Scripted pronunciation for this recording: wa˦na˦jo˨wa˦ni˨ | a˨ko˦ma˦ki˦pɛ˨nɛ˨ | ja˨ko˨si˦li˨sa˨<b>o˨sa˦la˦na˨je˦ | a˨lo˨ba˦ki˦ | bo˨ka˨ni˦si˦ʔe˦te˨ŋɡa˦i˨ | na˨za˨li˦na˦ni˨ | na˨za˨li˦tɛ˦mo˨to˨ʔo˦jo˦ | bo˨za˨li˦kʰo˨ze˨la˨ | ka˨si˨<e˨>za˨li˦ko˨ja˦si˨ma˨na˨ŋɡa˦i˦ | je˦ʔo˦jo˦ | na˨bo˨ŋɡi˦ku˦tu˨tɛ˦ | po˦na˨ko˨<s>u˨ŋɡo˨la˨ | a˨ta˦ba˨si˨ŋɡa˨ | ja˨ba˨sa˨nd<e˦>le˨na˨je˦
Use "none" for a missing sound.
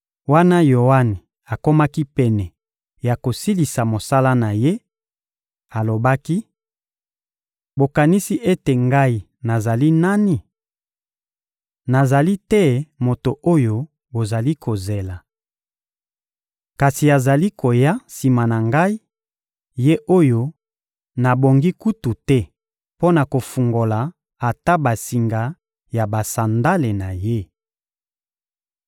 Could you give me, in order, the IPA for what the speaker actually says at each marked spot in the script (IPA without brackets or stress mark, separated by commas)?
m, a˨, f, a˦